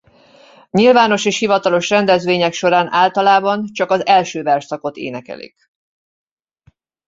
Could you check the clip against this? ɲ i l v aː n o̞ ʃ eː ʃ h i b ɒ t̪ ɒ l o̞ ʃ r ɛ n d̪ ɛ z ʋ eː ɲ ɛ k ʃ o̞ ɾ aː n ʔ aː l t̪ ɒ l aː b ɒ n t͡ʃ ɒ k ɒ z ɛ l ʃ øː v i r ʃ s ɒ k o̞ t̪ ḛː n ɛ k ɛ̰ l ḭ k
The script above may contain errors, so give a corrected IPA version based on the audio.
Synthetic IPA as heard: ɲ i l v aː n o̞ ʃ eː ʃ h i v ɒ t̪ ɒ l o̞ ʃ r ɛ n d̪ ɛ z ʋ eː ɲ ɛ k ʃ o̞ ɾ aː n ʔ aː l t̪ ɒ l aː b ɒ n t͡ʃ ɒ k ɒ z ɛ l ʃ øː v ɛ r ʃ s ɒ k o̞ t̪ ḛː n ɛ k ɛ̰ l ḭ k